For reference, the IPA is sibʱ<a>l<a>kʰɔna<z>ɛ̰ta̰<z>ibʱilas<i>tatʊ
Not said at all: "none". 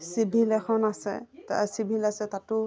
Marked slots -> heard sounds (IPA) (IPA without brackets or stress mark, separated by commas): i, ɛ, s, s, ɛ